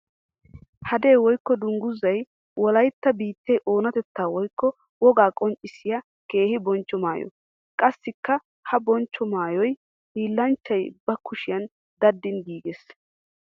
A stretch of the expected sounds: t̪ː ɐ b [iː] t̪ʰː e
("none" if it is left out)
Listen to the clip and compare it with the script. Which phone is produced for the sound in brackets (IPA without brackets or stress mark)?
iː